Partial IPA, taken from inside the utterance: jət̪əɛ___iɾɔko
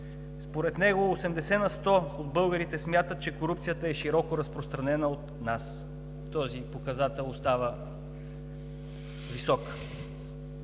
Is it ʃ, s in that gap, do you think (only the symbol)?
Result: ʃ